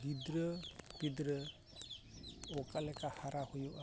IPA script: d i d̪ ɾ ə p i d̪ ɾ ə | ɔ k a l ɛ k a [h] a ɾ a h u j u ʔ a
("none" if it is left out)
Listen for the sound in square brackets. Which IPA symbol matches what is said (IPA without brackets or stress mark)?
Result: h